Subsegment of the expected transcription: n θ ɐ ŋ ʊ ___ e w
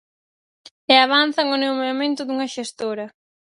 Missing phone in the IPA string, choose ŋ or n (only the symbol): n